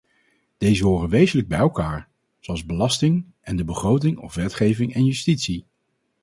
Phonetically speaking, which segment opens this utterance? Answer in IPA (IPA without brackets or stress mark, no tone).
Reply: d̥